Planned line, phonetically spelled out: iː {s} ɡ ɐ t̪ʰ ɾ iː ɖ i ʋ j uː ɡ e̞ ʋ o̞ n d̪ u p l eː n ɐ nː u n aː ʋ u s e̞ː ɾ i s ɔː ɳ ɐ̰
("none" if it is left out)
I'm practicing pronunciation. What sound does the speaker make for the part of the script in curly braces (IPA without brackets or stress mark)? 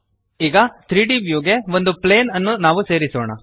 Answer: none